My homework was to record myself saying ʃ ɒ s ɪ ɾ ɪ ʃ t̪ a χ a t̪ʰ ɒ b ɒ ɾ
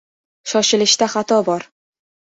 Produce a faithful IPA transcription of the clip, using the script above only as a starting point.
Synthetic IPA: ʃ ɒ ʃ ɪ l ɪ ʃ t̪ a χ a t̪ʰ ɒ b ɒ ɾ